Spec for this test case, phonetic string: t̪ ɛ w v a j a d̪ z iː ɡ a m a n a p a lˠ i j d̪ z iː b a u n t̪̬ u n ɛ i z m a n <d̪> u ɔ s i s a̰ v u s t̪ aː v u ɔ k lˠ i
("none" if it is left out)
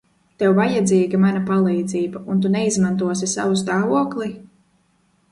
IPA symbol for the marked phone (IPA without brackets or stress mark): t̪